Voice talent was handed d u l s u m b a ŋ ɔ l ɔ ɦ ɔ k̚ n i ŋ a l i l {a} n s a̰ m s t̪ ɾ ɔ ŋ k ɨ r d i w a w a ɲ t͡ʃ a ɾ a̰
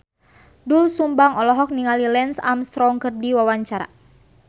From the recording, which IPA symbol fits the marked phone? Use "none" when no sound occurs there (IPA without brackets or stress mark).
ɛ